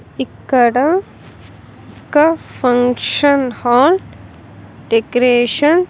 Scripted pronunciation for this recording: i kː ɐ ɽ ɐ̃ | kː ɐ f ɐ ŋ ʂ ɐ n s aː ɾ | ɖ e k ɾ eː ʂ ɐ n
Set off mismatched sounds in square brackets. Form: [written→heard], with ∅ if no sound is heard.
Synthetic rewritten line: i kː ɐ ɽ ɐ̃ | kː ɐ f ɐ ŋ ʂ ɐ n [s→h] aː [ɾ→l] | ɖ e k ɾ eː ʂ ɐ n